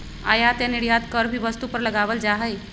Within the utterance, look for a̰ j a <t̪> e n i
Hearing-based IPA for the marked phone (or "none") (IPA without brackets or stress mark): t̪